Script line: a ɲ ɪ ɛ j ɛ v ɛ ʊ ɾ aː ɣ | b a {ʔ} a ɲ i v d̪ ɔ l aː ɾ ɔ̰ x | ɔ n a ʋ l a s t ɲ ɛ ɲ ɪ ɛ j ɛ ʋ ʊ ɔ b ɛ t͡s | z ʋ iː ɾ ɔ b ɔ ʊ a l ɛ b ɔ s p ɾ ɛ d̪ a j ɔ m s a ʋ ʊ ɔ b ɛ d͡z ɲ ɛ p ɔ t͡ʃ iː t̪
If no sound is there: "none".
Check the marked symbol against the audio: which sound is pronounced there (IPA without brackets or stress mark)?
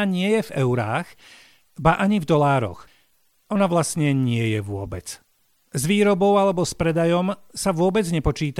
ʔ